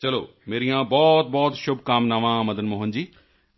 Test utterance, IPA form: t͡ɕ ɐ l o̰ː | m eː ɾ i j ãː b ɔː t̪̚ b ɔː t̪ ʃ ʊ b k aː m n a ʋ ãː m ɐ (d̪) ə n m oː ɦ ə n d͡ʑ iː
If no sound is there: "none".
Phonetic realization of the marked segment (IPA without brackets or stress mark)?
d̪